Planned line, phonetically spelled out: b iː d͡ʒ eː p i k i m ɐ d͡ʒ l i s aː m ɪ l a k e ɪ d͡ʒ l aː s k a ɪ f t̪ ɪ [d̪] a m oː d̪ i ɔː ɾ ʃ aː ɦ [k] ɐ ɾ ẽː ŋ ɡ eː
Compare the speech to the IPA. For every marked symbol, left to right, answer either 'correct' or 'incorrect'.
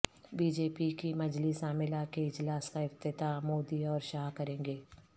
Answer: incorrect, correct

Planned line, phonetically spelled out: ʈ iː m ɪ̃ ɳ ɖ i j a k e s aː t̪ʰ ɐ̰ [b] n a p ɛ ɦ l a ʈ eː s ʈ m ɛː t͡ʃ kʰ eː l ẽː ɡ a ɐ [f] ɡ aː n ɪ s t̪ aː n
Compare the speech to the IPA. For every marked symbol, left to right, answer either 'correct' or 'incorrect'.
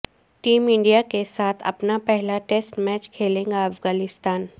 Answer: incorrect, correct

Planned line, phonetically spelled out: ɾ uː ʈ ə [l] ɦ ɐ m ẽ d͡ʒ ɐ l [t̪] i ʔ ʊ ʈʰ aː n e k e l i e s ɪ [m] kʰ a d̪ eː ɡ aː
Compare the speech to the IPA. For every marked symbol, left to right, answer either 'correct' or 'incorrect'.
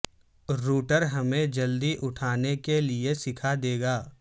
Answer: incorrect, incorrect, incorrect

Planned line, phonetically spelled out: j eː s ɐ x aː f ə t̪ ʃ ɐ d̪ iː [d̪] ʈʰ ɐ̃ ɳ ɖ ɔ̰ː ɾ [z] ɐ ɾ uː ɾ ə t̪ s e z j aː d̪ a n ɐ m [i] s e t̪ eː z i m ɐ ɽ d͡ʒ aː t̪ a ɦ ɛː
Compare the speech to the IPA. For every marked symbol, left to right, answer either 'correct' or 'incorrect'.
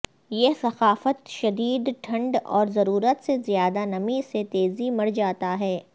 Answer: correct, correct, correct

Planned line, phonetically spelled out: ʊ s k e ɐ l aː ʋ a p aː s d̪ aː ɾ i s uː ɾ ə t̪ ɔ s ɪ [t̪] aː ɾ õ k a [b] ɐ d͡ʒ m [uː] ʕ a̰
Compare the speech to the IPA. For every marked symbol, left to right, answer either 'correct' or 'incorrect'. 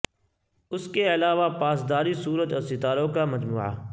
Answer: correct, incorrect, correct

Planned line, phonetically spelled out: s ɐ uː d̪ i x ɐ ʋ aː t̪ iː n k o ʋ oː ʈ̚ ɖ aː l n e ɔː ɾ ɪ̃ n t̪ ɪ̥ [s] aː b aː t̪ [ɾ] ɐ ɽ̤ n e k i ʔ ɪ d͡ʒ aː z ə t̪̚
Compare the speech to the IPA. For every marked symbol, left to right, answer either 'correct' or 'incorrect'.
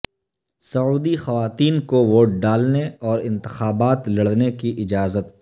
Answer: incorrect, incorrect

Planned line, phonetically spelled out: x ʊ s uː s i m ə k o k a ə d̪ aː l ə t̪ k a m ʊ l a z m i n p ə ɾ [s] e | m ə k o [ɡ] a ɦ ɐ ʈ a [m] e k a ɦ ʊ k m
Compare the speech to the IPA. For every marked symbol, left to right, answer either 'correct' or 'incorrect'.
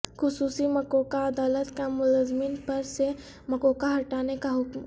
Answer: correct, incorrect, incorrect

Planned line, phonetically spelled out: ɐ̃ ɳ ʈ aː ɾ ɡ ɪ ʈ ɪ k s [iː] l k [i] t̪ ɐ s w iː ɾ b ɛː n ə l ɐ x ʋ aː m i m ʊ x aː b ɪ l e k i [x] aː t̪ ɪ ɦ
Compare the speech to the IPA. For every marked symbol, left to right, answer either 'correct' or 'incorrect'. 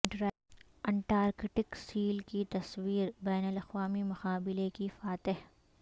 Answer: correct, correct, incorrect

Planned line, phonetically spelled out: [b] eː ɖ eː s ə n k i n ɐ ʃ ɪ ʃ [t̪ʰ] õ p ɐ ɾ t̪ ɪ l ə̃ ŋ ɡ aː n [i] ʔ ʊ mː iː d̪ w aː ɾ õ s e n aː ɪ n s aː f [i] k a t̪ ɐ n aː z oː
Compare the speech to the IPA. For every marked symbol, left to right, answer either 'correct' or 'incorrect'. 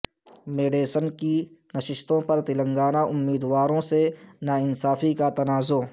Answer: incorrect, incorrect, incorrect, correct

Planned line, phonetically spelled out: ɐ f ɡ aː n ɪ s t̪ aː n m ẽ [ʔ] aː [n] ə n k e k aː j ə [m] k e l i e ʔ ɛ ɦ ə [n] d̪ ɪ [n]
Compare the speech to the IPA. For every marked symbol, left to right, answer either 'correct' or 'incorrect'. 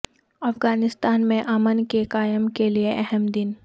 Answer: correct, incorrect, correct, incorrect, correct

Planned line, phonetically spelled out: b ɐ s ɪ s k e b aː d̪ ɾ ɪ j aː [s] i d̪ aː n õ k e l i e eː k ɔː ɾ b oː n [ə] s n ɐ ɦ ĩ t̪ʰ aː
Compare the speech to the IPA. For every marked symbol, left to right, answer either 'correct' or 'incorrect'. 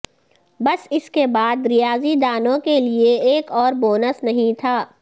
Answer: incorrect, correct

